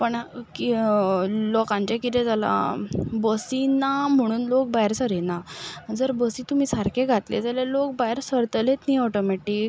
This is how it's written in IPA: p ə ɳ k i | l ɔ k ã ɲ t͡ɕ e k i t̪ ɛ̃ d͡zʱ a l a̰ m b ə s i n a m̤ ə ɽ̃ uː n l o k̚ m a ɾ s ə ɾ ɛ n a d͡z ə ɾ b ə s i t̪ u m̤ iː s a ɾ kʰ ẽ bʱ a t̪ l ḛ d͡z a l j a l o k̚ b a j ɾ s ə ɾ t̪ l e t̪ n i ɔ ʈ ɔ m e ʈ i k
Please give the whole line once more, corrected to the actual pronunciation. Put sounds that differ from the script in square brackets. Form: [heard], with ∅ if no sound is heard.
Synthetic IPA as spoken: p ə ɳ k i | l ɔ k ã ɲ t͡ɕ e k i t̪ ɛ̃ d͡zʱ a l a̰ [∅] b ə s i n a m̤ ə ɽ̃ uː n l o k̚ [b] a ɾ s ə ɾ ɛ n a d͡z ə ɾ b ə s i t̪ u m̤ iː s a ɾ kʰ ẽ [ɡʱ] a t̪ l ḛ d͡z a l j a l o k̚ b a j ɾ s ə ɾ t̪ l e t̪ n i ɔ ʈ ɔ m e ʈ i k